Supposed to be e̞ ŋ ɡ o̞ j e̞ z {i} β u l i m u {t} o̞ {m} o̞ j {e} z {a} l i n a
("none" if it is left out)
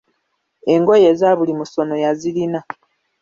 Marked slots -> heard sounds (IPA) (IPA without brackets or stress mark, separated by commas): a, s, n, a, i